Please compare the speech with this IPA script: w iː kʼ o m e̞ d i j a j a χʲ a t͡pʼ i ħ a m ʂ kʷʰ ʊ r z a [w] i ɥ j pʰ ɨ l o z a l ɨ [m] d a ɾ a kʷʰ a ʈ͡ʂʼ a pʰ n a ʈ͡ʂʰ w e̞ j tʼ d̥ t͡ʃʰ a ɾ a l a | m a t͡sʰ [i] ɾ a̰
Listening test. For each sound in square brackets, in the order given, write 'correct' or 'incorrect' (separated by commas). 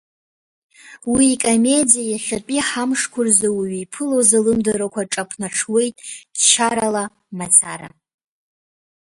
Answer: correct, correct, incorrect